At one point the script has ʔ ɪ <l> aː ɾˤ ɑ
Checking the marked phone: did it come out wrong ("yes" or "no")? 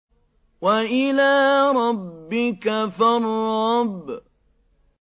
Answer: no